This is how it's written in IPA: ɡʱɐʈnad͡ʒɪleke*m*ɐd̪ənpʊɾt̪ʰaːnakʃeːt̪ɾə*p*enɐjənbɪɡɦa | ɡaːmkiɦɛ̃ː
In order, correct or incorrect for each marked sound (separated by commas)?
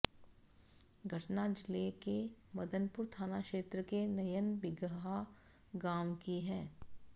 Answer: correct, incorrect